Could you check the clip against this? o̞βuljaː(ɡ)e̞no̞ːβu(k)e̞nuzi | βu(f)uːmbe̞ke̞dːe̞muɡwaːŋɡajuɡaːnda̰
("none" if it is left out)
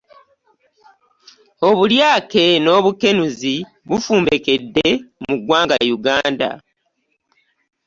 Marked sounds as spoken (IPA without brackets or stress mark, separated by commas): k, k, f